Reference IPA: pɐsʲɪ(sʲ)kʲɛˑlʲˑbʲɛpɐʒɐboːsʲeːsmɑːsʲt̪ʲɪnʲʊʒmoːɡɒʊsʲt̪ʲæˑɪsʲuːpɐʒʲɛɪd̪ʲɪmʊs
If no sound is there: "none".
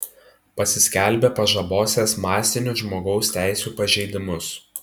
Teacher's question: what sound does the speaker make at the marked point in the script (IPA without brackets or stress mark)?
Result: sʲ